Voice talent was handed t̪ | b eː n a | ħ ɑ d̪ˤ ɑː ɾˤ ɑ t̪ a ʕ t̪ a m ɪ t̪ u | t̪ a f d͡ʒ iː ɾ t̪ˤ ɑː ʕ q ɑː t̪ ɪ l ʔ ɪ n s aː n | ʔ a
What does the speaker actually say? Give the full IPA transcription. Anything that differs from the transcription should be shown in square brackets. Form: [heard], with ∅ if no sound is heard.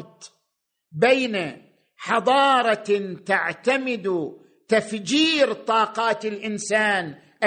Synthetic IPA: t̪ | b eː n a | ħ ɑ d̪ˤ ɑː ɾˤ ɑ t̪ a ʕ t̪ a m ɪ [d̪] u | t̪ a f d͡ʒ iː ɾ t̪ˤ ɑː [∅] q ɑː t̪ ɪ l ʔ ɪ n s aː n | ʔ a